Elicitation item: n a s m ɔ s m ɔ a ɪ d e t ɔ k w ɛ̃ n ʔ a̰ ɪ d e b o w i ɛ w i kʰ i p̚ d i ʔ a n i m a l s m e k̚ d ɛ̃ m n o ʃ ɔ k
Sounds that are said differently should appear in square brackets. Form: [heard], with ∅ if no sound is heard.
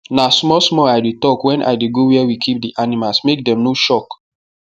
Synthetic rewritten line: n a s m ɔ s m ɔ a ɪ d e t ɔ k w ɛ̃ n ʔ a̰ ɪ d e [ɡ] o w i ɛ w i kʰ i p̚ d i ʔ a n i m a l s m e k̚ d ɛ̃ m n o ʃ ɔ k